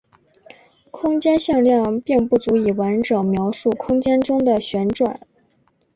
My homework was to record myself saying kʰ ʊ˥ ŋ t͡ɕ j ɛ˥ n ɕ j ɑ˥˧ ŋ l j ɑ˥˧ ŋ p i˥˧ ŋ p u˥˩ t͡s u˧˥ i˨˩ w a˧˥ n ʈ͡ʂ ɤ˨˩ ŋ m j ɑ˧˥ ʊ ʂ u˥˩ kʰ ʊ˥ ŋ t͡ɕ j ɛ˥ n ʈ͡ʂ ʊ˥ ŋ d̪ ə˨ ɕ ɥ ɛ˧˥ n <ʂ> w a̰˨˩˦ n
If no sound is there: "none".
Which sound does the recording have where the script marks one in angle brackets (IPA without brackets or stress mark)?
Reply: ʈ͡ʂ